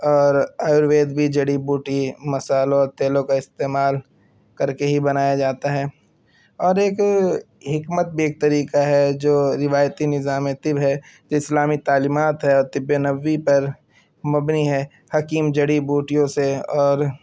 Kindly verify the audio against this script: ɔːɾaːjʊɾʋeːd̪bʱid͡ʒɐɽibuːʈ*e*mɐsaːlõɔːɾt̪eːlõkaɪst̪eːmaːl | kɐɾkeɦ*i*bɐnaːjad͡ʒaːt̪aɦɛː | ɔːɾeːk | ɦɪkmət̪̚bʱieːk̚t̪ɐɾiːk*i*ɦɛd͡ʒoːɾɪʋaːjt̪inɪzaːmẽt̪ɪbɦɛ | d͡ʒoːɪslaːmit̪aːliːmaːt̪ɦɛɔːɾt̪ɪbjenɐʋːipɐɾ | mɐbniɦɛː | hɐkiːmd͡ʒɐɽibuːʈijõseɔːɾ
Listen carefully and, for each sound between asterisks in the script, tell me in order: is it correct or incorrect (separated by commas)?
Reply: incorrect, correct, incorrect